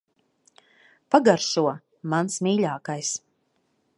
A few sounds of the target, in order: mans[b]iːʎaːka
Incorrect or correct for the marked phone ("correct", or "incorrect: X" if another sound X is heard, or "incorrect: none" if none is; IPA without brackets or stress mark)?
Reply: incorrect: m